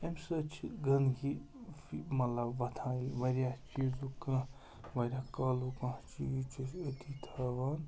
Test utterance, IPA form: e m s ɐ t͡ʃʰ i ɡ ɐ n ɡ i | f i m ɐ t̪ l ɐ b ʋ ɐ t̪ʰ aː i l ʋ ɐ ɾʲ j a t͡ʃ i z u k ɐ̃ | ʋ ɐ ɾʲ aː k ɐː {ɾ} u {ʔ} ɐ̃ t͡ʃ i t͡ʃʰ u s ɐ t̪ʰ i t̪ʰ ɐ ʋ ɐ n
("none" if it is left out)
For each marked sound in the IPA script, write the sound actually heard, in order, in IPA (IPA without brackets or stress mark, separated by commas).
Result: l, k